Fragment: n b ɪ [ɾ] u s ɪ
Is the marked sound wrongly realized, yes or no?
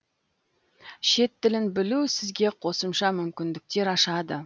yes